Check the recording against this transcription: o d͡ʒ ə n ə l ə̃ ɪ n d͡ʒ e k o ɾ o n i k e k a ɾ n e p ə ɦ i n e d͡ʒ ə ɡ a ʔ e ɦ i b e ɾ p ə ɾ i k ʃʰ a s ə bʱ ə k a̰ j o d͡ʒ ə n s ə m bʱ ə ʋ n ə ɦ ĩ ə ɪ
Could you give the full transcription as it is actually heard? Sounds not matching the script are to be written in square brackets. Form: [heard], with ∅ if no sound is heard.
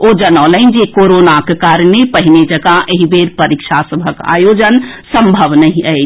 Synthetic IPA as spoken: o d͡ʒ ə n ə l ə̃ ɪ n d͡ʒ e k o ɾ o n [a] k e k a ɾ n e p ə ɦ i n e d͡ʒ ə ɡ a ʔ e ɦ i b e ɾ p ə ɾ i k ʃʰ a s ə bʱ ə k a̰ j o d͡ʒ ə n s ə m bʱ ə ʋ n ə ɦ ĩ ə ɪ